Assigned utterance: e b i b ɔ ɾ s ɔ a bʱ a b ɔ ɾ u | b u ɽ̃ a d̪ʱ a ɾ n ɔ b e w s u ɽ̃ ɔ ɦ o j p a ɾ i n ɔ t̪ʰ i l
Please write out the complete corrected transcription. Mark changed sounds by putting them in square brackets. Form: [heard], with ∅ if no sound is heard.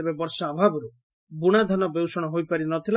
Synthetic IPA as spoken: e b [e] b ɔ ɾ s ɔ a bʱ a b ɔ ɾ u | b u ɽ̃ a d̪ʱ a [∅] n ɔ b e w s [ɔ] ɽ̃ ɔ ɦ o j p a ɾ i n ɔ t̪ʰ i l